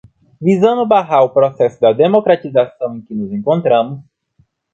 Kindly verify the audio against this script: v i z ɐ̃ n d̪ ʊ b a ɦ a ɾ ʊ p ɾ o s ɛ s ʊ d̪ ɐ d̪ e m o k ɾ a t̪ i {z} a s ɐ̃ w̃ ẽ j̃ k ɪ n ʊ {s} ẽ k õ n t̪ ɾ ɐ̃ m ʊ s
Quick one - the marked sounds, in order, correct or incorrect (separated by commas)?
correct, incorrect